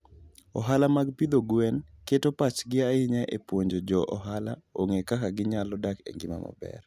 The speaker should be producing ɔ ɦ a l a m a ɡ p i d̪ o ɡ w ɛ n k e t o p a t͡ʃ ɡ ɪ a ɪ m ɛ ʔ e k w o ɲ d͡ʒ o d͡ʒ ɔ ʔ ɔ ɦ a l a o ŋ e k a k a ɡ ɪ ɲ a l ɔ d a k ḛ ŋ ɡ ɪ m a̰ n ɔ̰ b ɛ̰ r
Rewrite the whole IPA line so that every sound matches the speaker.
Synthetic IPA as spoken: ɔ ɦ a l a m a ɡ p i d̪ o ɡ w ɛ n k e t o p a t͡ʃ ɡ ɪ a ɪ ɲ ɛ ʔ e p w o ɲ d͡ʒ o d͡ʒ ɔ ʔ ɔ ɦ a l a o ŋ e k a k a ɡ ɪ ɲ a l ɔ d a k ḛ ŋ ɡ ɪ m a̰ m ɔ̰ b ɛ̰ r